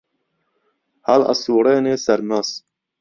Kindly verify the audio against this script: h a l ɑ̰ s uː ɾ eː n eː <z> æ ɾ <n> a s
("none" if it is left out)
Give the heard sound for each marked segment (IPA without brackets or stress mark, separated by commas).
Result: s, m